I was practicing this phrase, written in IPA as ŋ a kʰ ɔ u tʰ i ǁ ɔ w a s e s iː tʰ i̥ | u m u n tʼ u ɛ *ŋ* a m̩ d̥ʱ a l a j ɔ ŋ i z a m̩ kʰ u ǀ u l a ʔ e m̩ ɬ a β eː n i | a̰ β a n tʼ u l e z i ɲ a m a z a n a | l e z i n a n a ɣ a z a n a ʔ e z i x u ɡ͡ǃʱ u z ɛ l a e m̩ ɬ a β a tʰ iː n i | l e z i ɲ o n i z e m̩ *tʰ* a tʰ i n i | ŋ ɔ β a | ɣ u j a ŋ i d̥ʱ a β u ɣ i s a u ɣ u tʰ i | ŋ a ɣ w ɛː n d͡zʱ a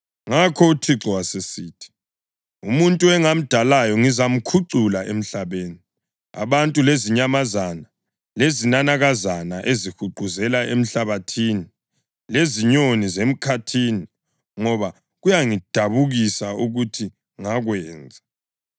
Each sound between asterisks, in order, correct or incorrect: correct, incorrect: kʰ

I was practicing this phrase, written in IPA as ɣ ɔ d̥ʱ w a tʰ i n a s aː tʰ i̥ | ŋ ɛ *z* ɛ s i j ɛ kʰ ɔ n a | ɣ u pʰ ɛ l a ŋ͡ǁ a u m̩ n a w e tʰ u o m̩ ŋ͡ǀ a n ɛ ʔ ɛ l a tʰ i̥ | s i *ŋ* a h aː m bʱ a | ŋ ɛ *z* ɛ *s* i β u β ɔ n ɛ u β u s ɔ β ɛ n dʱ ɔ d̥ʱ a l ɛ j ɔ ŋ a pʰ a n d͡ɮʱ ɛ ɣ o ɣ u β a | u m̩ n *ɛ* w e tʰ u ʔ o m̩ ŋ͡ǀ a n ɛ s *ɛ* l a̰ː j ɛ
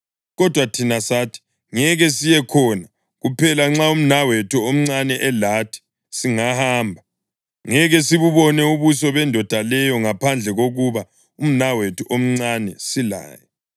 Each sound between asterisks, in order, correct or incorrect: incorrect: ɣ, correct, incorrect: ɣ, correct, incorrect: a, incorrect: i

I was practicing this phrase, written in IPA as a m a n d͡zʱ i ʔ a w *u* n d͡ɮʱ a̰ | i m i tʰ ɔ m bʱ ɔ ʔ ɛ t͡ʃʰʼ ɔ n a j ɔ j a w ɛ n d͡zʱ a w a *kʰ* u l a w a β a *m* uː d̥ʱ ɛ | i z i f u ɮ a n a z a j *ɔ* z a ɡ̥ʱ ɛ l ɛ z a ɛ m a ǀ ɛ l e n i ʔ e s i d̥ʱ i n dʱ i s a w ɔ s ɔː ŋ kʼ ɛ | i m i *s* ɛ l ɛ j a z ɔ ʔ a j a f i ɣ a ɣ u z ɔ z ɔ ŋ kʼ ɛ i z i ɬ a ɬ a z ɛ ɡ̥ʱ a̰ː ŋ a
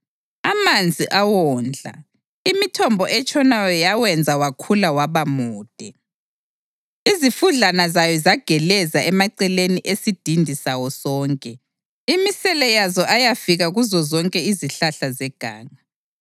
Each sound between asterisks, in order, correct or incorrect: incorrect: ɔ, correct, correct, correct, correct

